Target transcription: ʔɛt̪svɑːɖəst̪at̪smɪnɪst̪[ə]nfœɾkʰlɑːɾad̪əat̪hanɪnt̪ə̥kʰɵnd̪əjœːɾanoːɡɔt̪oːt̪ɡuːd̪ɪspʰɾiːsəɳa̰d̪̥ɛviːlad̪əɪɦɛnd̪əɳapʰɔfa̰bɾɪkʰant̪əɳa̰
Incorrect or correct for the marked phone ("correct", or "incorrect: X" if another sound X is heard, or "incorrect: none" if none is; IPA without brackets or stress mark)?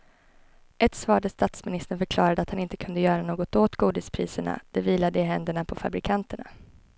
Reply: correct